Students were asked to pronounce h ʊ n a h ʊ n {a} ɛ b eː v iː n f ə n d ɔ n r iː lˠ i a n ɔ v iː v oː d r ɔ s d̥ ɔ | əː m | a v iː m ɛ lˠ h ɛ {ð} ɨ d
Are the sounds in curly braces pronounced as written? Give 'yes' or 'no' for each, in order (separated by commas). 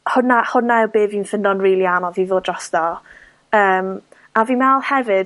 yes, no